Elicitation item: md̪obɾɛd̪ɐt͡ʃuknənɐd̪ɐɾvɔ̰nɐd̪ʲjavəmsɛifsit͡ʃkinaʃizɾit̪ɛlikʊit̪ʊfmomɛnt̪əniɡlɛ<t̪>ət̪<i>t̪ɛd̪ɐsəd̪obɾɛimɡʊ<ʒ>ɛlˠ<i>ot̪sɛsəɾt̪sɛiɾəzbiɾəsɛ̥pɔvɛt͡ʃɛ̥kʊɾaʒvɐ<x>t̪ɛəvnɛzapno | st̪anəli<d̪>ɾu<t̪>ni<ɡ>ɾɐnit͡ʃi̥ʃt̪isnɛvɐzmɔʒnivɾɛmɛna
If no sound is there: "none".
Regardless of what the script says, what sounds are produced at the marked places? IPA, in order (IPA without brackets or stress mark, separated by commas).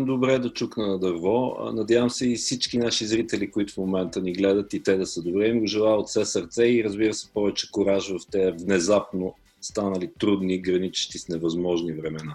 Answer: d̪, i, ʒ, a, f, t̪, d̪, ɡ